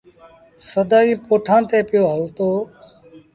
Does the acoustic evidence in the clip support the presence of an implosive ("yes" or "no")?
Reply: no